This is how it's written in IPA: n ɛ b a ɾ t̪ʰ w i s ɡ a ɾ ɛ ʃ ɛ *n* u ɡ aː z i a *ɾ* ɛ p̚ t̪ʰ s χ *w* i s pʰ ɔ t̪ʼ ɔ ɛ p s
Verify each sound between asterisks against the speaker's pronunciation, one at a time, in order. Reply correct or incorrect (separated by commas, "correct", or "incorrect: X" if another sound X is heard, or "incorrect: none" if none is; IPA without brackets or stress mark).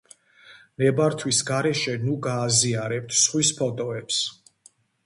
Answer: correct, correct, correct